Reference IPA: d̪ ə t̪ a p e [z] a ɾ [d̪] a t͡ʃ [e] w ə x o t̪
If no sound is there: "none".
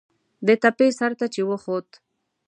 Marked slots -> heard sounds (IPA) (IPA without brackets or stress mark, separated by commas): s, t̪, e